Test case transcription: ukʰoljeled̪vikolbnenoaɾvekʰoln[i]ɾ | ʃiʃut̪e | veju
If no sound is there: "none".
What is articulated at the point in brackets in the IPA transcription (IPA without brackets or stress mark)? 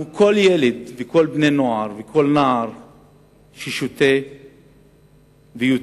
a